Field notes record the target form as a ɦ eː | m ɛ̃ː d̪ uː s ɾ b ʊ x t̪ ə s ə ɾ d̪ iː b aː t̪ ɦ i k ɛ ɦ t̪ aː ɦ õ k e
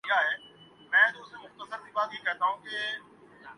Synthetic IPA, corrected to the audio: a ɦ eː | m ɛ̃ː d̪ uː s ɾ m ʊ x t̪ ə s ə ɾ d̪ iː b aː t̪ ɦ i k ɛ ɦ t̪ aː ɦ ũ k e